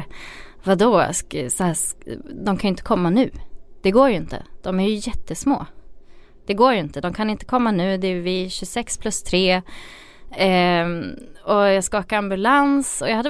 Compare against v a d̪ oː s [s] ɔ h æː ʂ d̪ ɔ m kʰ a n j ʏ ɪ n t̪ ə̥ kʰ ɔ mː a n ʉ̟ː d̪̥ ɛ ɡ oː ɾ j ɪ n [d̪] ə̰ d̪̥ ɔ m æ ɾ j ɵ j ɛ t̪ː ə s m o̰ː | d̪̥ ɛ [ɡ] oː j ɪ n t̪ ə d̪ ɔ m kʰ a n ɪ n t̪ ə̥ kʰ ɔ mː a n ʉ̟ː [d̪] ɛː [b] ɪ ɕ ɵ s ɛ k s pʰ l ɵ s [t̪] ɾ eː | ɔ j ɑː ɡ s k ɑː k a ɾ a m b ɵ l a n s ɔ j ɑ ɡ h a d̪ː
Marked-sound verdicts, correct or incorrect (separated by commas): correct, incorrect, correct, correct, incorrect, incorrect